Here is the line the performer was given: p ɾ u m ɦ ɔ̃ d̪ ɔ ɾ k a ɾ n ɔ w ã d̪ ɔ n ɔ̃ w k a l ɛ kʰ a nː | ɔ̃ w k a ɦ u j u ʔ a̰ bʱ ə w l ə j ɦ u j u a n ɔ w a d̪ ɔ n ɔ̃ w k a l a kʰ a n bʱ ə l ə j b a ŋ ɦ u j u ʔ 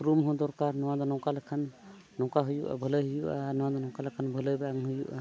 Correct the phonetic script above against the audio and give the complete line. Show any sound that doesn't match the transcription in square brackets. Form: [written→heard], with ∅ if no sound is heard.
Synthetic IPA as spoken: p ɾ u m ɦ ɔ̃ d̪ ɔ ɾ k a ɾ n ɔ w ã d̪ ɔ n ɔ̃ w k a l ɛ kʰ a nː | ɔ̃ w k a ɦ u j u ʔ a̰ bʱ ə [w→∅] l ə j ɦ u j u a n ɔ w a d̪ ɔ n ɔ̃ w k a l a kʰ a n bʱ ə l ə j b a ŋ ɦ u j u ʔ